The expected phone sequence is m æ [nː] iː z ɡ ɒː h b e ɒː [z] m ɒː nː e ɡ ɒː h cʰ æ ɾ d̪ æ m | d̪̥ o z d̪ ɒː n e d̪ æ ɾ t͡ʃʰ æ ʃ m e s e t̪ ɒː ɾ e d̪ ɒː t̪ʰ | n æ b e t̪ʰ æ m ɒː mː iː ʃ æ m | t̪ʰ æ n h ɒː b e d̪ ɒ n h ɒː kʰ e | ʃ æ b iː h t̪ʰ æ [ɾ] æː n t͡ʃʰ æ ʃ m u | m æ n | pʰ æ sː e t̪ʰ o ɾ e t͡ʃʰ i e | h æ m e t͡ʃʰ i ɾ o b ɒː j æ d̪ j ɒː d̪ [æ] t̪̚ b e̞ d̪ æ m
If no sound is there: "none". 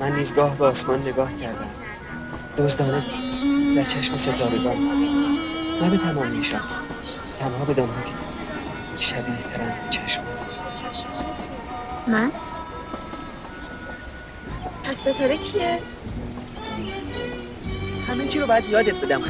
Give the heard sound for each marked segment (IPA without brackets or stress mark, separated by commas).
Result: nː, s, ɾ, e